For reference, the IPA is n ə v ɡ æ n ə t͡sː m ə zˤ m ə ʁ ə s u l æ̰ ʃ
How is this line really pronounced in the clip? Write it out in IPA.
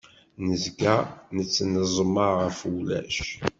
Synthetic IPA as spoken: n ə z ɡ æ n ə t͡sː n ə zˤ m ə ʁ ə f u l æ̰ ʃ